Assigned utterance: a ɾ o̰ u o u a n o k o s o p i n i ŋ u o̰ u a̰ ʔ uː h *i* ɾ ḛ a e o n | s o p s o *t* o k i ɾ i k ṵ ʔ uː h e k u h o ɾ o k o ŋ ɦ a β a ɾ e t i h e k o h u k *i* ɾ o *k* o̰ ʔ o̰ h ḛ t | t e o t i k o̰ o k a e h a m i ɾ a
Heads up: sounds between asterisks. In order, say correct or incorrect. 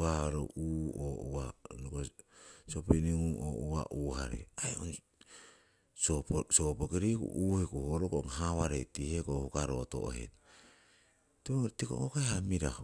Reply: incorrect, incorrect, incorrect, incorrect

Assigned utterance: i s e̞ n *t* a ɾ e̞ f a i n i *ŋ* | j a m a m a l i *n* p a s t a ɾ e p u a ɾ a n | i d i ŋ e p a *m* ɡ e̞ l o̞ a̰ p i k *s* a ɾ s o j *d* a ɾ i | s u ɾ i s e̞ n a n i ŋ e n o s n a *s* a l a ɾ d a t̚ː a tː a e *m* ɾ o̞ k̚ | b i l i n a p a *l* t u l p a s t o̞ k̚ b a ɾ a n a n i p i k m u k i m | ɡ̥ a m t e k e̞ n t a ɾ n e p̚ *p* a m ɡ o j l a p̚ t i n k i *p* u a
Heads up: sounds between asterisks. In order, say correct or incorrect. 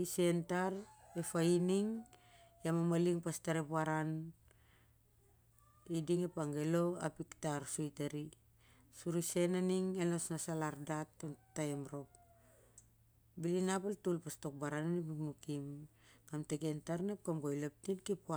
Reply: correct, correct, incorrect, incorrect, incorrect, incorrect, correct, correct, correct, incorrect, correct

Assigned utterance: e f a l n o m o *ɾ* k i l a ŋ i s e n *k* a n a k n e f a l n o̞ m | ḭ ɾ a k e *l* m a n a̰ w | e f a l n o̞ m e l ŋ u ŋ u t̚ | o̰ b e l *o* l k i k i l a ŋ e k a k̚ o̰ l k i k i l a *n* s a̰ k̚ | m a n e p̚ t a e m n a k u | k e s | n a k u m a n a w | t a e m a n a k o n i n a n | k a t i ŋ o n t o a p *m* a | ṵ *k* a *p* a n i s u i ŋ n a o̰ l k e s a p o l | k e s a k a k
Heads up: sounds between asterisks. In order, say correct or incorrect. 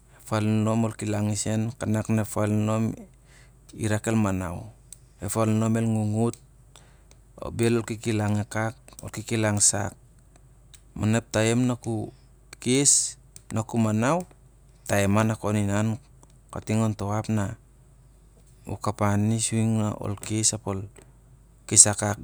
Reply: incorrect, correct, correct, correct, incorrect, incorrect, correct, correct

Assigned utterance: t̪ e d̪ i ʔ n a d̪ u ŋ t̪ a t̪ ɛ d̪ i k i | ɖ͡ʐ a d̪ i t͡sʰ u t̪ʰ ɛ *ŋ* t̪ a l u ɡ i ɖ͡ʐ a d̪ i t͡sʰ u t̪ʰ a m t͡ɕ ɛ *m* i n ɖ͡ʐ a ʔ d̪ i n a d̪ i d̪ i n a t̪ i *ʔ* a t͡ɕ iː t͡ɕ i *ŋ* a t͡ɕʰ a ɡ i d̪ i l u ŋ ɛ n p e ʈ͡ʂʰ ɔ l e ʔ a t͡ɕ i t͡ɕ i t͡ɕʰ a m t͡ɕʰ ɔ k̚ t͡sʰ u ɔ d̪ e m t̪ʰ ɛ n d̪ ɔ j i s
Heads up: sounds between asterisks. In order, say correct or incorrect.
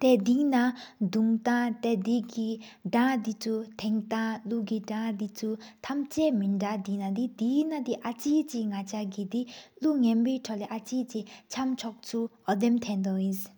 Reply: correct, correct, correct, correct

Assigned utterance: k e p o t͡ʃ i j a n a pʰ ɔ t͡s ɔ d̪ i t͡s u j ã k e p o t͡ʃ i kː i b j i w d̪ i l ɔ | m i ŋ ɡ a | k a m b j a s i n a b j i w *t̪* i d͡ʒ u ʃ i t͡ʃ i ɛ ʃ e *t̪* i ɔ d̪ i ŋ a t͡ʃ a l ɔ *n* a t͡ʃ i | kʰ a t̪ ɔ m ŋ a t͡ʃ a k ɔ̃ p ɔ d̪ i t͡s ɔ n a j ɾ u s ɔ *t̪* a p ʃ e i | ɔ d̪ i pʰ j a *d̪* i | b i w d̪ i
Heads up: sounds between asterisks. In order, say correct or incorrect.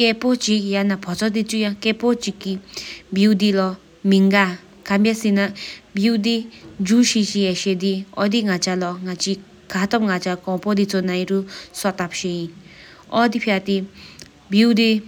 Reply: incorrect, incorrect, incorrect, correct, incorrect

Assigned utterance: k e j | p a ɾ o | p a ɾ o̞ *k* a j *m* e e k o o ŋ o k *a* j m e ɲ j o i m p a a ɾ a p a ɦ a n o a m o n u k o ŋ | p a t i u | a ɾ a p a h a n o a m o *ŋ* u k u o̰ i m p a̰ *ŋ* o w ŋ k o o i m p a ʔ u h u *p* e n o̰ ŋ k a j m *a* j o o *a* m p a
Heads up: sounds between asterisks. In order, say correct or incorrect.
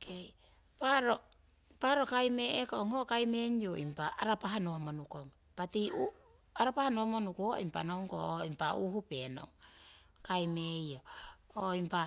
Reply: correct, correct, correct, incorrect, incorrect, correct, incorrect, incorrect

